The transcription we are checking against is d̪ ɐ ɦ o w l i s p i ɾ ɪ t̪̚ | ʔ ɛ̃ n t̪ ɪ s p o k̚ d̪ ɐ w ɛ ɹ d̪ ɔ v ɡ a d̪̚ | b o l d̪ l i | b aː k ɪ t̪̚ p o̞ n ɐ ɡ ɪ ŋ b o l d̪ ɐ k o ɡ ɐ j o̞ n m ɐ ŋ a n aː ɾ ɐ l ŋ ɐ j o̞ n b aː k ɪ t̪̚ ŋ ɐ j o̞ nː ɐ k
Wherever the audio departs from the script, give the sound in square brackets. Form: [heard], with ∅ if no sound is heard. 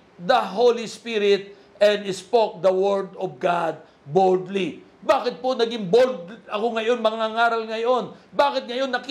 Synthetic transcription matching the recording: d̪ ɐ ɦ o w l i s p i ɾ ɪ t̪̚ | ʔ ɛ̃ n [d̪] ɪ s p o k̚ d̪ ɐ w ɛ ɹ d̪ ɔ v ɡ a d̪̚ | b o l d̪ l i | b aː k ɪ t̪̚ p o̞ n ɐ ɡ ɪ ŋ b o l d̪ ɐ k o [ŋ] ɐ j o̞ n m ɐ ŋ a [ŋ] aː ɾ ɐ l ŋ ɐ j o̞ n b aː k ɪ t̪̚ ŋ ɐ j o̞ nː ɐ k